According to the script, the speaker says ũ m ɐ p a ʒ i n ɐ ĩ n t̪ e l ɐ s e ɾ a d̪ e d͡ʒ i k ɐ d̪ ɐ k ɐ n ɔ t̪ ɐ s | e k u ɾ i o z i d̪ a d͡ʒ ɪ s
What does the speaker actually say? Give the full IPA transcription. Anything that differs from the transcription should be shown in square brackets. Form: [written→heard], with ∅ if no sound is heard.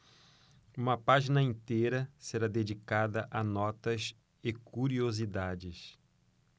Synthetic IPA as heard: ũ m ɐ p a ʒ i n ɐ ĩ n t̪ e [l→ɾ] ɐ s e ɾ a d̪ e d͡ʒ i k [ɐ→a] d̪ ɐ [k→ʔ] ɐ n ɔ t̪ ɐ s | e k u ɾ i o z i d̪ a d͡ʒ ɪ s

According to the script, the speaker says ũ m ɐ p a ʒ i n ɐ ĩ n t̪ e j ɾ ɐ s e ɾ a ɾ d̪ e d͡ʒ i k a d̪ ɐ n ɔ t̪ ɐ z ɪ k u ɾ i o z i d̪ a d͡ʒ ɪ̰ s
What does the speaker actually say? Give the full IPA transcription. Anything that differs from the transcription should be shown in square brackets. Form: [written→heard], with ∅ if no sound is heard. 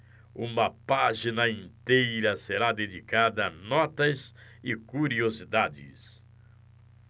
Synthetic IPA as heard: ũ m ɐ p a ʒ i n ɐ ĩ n t̪ e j ɾ ɐ s e ɾ a [ɾ→∅] d̪ e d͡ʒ i k a d̪ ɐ n ɔ t̪ ɐ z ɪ k u ɾ i o z i d̪ a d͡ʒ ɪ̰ s

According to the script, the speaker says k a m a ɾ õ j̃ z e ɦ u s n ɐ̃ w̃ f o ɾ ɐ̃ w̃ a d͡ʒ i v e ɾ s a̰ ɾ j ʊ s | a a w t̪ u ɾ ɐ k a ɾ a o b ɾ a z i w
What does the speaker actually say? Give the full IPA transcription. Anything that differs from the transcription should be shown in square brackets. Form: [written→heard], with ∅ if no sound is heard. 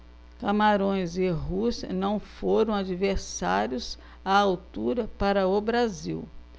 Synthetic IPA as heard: k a m a ɾ õ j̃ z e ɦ u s n ɐ̃ w̃ f o ɾ ɐ̃ w̃ a d͡ʒ i v e ɾ s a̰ ɾ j ʊ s | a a w t̪ u ɾ ɐ [k→p] a ɾ [a→ɐ] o b ɾ a z i w

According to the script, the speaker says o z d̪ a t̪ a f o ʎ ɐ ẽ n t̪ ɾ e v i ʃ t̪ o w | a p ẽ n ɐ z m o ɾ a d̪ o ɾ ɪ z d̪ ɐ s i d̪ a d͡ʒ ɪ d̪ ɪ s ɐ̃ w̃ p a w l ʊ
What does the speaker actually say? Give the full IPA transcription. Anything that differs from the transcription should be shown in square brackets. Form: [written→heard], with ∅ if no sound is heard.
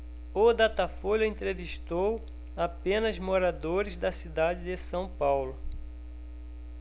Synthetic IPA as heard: o [z→∅] d̪ a t̪ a f o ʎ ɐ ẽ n t̪ ɾ e v i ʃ t̪ o w | a p ẽ n ɐ z m o ɾ a d̪ o ɾ ɪ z d̪ ɐ s i d̪ a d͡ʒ ɪ d̪ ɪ s ɐ̃ w̃ p a w l ʊ

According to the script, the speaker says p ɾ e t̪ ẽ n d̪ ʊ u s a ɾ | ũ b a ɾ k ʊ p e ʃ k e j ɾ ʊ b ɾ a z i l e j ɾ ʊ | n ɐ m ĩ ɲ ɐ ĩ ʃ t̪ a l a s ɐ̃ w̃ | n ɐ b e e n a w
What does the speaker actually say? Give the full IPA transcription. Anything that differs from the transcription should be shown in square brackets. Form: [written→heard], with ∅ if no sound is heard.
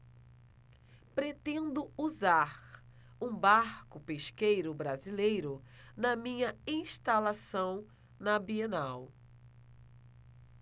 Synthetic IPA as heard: p ɾ e t̪ ẽ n d̪ ʊ u [s→z] a ɾ | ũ b a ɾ k ʊ p e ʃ k e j ɾ ʊ b ɾ a z i l e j ɾ ʊ | n ɐ m ĩ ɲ ɐ ĩ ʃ t̪ a l a s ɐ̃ w̃ | n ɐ b [e→i] e n a w

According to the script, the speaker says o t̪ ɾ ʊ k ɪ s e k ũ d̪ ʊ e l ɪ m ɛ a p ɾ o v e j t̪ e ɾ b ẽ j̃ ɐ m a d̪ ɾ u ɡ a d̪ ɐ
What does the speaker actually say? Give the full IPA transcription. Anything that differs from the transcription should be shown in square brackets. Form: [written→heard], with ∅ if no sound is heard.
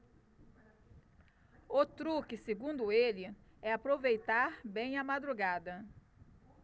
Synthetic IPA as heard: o t̪ ɾ [ʊ→u] k ɪ s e [k→ɡ] ũ d̪ ʊ e l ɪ [m→∅] ɛ a p ɾ o v e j t̪ [e→a] ɾ b ẽ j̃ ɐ m a d̪ ɾ u ɡ a d̪ ɐ

